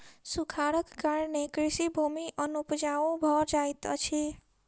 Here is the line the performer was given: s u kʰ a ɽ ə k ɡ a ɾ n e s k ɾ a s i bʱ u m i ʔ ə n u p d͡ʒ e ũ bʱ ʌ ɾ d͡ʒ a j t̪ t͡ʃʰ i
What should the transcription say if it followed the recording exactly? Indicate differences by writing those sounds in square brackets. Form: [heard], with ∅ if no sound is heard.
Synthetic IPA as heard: s u kʰ a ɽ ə k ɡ a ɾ n e [∅] k ɾ [i] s i bʱ u m i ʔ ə n u p d͡ʒ [a] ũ bʱ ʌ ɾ d͡ʒ a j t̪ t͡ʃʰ i